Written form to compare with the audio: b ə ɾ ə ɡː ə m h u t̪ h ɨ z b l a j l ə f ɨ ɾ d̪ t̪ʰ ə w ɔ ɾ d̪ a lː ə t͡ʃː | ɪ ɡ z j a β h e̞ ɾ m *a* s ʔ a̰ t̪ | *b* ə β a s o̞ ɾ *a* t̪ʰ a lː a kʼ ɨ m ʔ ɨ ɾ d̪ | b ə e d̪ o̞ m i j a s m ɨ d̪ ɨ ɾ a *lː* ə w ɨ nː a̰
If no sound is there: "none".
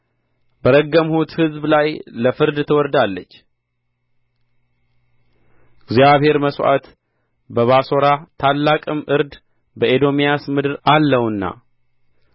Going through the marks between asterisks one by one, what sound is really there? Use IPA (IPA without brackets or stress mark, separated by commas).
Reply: ə, b, a, lː